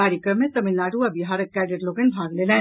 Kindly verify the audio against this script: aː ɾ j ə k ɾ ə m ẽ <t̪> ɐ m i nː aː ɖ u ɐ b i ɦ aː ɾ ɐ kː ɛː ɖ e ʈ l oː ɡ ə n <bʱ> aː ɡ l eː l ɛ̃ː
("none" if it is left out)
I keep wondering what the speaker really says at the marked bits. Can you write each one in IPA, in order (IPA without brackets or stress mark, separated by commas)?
t̪, bʱ